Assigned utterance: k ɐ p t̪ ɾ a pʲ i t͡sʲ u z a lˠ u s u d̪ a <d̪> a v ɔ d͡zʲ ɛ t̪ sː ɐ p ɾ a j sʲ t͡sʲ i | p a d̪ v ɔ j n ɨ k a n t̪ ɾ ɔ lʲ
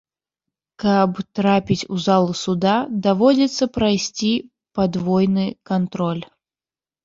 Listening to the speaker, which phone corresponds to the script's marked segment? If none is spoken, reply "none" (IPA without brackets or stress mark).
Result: d̪